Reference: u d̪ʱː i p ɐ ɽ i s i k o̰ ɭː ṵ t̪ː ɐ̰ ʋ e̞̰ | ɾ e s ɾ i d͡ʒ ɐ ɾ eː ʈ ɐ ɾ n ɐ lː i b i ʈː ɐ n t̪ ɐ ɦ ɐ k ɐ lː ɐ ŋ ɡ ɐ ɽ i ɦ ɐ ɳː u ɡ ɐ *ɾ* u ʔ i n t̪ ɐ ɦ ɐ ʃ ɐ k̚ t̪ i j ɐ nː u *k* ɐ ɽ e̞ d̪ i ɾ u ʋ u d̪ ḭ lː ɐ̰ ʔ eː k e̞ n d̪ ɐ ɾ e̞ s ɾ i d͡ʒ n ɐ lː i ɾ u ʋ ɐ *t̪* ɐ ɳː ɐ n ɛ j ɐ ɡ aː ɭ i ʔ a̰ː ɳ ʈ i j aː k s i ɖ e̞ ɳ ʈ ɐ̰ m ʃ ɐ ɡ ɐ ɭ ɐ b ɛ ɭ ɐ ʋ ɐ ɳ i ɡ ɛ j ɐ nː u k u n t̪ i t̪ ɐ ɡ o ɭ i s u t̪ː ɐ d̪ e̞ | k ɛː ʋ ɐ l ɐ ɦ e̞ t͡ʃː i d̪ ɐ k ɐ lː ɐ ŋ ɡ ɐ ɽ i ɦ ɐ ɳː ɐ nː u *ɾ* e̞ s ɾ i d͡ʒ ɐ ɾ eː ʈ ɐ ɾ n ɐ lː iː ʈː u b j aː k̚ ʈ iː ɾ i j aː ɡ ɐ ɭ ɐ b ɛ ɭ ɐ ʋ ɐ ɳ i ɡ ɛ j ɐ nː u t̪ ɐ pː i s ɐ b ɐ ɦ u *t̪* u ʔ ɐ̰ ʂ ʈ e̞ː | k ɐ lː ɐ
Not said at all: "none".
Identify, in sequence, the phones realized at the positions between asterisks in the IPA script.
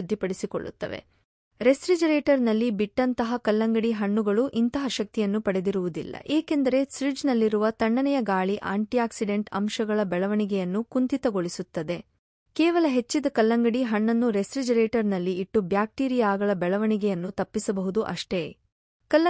ɭ, p, t̪, ɾ, d̪

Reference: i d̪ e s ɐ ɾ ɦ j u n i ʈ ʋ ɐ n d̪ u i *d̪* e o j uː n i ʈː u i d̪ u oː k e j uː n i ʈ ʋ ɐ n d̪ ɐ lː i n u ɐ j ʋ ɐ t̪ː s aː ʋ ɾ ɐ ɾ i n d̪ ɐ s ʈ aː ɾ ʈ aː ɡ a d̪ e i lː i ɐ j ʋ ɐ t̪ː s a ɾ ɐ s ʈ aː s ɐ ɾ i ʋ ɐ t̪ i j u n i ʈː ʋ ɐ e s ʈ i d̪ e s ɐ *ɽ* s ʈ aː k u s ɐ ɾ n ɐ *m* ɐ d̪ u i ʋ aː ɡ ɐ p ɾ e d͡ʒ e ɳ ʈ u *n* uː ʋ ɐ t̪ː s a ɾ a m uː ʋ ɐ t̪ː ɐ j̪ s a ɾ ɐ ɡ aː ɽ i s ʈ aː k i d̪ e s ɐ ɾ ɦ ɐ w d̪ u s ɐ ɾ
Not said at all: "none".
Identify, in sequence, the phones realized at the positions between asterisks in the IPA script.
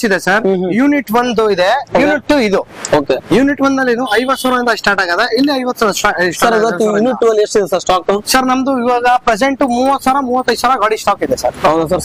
d̪, ɾ, m, m

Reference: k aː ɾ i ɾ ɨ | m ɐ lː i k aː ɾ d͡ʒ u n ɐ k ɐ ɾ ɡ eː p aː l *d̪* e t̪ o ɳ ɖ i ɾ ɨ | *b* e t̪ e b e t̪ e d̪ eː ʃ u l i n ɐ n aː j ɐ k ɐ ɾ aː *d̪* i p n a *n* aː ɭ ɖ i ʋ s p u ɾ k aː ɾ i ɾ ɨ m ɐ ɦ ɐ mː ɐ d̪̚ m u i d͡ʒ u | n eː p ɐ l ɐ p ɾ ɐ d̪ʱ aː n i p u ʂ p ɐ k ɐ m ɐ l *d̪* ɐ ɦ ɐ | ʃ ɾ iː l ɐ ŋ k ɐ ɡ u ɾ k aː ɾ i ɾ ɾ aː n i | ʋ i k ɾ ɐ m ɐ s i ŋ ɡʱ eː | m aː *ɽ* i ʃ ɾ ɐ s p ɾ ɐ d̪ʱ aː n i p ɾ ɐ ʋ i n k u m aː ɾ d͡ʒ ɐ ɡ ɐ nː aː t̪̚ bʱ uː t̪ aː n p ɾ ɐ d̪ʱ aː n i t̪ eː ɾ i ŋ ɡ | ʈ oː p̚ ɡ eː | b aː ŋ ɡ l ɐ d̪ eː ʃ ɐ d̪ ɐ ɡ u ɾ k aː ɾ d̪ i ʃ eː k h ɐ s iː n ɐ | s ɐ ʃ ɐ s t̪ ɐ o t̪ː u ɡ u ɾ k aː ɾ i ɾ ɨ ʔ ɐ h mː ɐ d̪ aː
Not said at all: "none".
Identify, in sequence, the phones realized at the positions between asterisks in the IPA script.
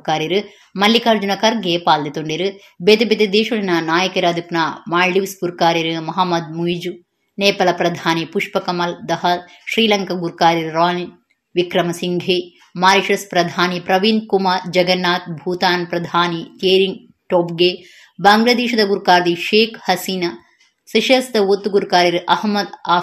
d̪, b, d̪, m, d̪, ɾ

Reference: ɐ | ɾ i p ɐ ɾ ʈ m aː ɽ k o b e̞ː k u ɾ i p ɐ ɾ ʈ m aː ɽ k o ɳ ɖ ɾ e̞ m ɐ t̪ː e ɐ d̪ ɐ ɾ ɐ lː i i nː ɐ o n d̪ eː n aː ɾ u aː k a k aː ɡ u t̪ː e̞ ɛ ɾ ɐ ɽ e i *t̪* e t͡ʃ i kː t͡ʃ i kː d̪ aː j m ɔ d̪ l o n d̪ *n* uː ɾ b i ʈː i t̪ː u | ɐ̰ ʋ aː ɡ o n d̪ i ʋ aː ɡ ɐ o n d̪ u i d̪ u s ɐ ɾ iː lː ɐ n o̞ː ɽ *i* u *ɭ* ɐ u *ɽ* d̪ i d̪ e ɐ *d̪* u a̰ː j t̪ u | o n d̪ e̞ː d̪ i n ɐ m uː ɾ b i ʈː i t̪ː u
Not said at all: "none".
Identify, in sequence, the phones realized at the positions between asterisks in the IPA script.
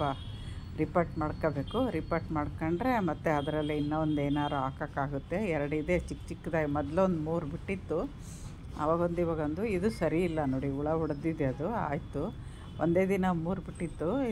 d̪, m, i, ɭ, ɽ, d̪

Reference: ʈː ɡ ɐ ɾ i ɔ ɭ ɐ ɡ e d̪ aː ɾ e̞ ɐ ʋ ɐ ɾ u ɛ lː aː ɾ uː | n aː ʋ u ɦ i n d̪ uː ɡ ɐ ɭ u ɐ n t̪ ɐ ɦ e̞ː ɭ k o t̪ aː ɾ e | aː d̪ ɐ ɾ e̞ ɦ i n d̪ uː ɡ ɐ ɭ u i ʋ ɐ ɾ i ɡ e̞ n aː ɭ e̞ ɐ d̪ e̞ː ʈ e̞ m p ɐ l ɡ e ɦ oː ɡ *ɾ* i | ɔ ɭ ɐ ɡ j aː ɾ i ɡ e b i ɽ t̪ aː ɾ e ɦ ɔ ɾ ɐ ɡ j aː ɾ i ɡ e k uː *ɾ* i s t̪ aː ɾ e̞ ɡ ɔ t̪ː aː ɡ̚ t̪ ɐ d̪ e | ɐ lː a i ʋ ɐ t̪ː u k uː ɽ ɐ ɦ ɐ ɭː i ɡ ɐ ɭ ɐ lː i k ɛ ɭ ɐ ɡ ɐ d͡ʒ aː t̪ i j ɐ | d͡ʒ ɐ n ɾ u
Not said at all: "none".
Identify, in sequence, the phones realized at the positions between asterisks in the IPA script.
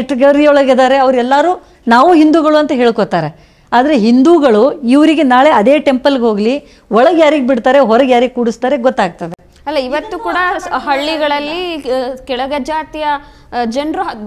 l, ɽ

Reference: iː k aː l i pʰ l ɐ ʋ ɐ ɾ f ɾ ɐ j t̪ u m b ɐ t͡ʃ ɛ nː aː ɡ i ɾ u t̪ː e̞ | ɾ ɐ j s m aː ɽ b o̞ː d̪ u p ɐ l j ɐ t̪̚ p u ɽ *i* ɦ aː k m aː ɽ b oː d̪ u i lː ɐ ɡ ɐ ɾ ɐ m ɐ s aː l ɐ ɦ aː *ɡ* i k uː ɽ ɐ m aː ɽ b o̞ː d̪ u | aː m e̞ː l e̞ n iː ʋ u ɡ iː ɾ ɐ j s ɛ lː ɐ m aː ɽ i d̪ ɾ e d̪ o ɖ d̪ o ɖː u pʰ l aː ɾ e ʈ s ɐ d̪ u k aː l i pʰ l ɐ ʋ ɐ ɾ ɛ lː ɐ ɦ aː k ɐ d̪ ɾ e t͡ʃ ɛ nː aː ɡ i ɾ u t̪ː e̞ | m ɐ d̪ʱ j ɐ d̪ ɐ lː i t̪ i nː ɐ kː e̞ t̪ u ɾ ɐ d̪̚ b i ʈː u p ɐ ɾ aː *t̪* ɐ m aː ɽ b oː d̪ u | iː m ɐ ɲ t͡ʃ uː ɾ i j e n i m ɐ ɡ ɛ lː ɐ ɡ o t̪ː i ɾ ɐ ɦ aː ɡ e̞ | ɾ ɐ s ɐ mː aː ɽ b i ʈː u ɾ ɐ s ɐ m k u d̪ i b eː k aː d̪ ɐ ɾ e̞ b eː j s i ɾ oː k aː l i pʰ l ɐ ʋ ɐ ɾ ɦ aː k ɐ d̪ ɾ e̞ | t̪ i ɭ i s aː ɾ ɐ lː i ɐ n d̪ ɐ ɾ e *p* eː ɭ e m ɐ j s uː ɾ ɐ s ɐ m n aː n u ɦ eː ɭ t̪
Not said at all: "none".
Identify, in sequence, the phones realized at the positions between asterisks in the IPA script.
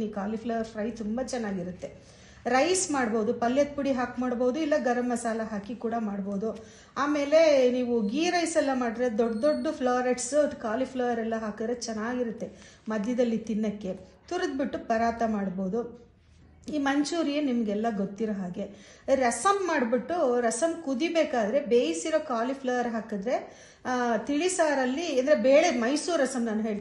i, k, t̪, b

